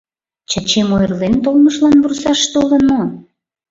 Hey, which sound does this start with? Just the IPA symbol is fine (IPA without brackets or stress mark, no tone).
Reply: t͡ɕ